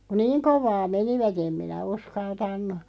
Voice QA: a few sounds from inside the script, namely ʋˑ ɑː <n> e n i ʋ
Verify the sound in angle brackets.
incorrect: m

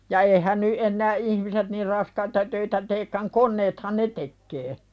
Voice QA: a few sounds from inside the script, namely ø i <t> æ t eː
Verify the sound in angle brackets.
correct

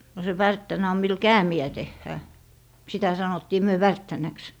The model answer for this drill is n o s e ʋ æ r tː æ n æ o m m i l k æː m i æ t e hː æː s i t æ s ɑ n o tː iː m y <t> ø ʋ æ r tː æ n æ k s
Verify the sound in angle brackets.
incorrect: none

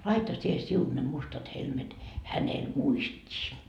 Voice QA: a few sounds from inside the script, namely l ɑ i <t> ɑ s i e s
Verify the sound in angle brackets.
correct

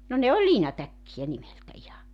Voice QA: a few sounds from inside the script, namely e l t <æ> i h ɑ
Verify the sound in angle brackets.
correct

